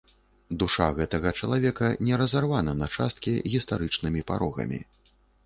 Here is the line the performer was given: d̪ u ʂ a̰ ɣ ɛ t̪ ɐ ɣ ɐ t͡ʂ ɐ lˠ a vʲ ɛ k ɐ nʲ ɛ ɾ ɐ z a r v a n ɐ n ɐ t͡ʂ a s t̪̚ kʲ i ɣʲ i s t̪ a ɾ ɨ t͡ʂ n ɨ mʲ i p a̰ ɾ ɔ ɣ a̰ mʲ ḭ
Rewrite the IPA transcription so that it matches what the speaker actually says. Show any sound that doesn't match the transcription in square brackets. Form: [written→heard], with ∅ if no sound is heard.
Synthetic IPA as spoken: d̪ u ʂ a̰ ɣ ɛ t̪ ɐ ɣ ɐ t͡ʂ ɐ lˠ a vʲ ɛ k ɐ nʲ ɛ ɾ ɐ z a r v a n ɐ n ɐ t͡ʂ a s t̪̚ kʲ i ɣʲ i s t̪ a ɾ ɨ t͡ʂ n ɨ mʲ i p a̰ ɾ ɔ ɣ [a̰→ɐ̰] mʲ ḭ

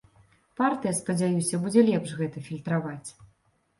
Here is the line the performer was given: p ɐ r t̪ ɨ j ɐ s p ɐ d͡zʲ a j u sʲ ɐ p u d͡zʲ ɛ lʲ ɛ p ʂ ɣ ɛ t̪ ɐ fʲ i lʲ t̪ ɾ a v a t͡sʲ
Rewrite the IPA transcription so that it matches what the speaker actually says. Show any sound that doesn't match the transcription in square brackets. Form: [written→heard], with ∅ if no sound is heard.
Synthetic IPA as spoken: p [ɐ→a] r t̪ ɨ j ɐ s p ɐ d͡zʲ a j u sʲ ɐ [p→b] u d͡zʲ ɛ lʲ ɛ p ʂ ɣ ɛ t̪ ɐ fʲ i lʲ t̪ ɾ a v a t͡sʲ

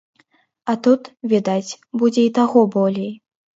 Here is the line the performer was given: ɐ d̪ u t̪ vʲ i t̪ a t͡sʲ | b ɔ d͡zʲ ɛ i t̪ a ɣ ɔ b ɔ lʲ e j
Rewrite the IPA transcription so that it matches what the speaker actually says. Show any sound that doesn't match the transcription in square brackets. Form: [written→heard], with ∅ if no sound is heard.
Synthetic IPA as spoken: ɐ [d̪→t̪] u t̪ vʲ i [t̪→d̪] a t͡sʲ | b [ɔ→u] d͡zʲ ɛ i t̪ a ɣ ɔ b ɔ lʲ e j

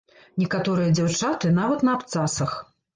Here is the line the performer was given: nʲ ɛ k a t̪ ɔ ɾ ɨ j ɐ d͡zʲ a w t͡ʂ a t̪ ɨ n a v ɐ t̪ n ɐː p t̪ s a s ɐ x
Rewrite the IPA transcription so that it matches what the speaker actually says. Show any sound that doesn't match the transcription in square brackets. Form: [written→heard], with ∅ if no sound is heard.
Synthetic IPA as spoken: nʲ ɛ k a t̪ ɔ ɾ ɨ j ɐ d͡zʲ a w t͡ʂ a t̪ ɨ n a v ɐ t̪ n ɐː p t̪ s a s ɐ x

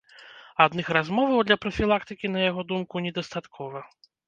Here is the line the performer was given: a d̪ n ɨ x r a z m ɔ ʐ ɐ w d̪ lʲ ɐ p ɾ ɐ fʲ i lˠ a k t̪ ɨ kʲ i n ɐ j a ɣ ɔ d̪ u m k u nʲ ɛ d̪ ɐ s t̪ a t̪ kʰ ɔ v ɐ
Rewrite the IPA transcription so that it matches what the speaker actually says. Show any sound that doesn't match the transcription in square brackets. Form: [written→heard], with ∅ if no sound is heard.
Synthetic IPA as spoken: a d̪ n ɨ x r a z m ɔ [ʐ→v] ɐ w d̪ lʲ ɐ p ɾ ɐ fʲ i lˠ a k t̪ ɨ kʲ i n ɐ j a ɣ ɔ d̪ u m k u nʲ ɛ d̪ ɐ s t̪ a t̪ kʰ ɔ v ɐ

